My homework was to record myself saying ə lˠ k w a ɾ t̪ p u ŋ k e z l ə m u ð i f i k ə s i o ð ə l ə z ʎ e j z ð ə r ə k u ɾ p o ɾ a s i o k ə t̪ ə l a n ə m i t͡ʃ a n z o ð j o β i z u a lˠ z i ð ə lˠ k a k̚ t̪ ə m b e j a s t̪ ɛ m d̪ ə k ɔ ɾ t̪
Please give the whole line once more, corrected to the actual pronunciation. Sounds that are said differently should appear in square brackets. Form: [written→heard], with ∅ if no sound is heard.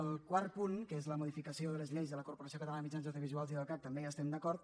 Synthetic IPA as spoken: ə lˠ k w a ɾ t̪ p u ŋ k e z l ə m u ð i f i k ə s i o ð ə l ə z ʎ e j z ð ə [r→l] ə k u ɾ p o ɾ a s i o k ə t̪ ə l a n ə m i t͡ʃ a n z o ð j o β i z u a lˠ z i ð ə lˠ k a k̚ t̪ ə m b e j a s t̪ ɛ m d̪ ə k ɔ ɾ t̪